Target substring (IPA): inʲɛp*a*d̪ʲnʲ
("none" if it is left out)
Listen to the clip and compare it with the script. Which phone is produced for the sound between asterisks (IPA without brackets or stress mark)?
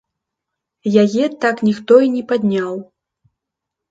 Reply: a